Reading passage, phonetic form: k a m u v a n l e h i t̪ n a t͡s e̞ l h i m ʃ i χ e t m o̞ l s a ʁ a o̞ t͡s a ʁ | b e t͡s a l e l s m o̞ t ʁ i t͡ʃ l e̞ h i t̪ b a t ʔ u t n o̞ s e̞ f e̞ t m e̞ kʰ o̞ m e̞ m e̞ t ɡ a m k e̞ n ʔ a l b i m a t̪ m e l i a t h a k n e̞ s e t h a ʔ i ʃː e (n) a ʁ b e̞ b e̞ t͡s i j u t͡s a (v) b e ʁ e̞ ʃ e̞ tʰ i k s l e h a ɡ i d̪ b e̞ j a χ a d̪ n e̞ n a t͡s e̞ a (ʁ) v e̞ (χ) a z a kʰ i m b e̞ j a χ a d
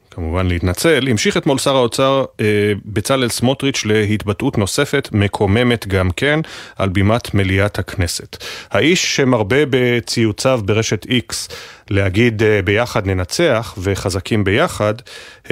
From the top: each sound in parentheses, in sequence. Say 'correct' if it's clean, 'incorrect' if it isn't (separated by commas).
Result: incorrect, correct, incorrect, correct